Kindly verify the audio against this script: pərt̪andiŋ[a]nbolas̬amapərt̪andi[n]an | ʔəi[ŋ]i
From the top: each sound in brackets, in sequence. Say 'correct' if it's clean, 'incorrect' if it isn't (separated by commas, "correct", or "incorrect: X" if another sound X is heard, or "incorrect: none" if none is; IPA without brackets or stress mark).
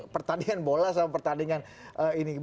correct, incorrect: ŋ, incorrect: n